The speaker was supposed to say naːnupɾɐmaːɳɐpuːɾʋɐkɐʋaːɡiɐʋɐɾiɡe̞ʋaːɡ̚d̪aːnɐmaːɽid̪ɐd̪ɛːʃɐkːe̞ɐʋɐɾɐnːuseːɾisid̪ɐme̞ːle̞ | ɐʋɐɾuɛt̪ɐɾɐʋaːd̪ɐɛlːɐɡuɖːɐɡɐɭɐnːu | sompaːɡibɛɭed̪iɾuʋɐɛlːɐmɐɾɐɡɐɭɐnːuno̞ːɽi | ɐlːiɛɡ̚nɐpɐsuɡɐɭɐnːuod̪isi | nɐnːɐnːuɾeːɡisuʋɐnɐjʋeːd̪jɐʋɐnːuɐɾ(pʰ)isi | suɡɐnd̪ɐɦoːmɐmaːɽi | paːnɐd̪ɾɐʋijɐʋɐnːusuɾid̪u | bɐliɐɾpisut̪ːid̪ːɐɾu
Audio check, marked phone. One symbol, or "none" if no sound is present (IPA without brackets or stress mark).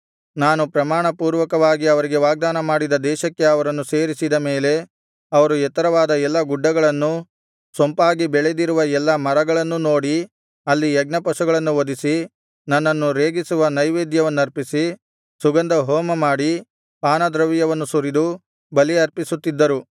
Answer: p